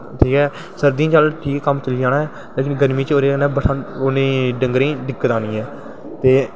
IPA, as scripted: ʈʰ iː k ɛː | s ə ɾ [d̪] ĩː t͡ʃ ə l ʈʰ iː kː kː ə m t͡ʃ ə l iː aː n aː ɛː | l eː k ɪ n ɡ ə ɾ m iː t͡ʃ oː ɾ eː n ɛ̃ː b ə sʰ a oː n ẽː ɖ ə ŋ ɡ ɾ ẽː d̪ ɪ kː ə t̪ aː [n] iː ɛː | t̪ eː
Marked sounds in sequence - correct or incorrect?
correct, correct

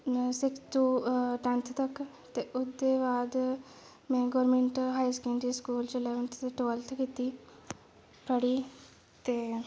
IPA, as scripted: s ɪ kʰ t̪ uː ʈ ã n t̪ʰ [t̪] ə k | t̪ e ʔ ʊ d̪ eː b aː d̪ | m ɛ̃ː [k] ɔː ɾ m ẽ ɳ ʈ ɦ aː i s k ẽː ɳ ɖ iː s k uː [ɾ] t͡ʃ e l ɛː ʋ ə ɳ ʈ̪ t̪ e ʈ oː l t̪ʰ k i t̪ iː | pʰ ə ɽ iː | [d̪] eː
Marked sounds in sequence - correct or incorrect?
correct, incorrect, incorrect, incorrect

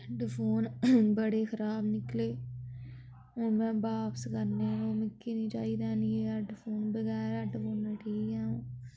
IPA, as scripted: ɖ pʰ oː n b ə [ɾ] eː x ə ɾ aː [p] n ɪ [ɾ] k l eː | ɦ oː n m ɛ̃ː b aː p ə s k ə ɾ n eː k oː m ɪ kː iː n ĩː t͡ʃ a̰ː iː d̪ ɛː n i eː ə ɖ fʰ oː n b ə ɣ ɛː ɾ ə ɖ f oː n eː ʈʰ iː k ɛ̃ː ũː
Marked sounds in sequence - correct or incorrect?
incorrect, incorrect, incorrect

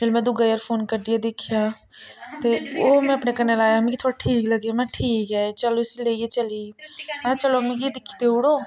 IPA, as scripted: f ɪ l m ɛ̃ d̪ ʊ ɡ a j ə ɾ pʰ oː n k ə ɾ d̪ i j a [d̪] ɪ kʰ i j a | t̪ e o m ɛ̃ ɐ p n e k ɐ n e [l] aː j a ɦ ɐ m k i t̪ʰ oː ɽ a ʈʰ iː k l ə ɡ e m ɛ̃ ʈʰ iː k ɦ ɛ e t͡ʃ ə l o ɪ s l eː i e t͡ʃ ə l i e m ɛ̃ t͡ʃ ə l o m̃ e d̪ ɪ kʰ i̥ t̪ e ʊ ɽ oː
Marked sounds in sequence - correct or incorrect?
correct, correct

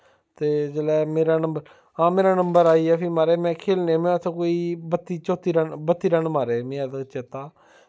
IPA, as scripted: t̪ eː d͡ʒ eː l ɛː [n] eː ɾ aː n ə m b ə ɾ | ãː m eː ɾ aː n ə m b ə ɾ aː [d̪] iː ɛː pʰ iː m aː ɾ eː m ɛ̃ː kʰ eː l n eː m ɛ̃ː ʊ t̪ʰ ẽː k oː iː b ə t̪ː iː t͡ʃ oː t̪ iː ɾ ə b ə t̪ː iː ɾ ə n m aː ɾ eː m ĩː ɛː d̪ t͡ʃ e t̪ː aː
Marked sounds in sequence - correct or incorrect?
incorrect, incorrect

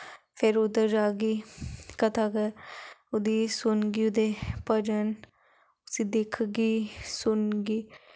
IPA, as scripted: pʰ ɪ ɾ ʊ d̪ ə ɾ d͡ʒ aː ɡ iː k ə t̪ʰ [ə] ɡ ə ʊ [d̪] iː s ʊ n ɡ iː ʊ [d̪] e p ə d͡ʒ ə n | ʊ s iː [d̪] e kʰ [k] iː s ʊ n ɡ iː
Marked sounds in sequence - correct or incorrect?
incorrect, correct, correct, correct, incorrect

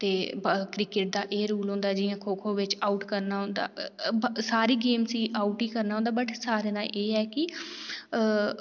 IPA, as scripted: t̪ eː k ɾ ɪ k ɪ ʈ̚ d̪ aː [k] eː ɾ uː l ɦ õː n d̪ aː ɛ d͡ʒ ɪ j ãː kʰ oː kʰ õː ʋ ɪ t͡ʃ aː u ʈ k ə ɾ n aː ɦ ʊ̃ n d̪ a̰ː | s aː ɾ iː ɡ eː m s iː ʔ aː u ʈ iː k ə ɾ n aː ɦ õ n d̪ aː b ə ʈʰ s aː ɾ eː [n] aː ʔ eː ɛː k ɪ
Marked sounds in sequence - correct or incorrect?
incorrect, correct

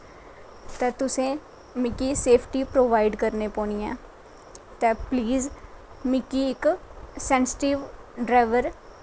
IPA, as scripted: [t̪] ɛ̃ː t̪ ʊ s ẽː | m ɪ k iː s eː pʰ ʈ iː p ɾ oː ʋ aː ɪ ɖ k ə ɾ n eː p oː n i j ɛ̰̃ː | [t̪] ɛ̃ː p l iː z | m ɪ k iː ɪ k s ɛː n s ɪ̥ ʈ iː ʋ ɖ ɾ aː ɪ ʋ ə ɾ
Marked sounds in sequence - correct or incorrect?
correct, correct

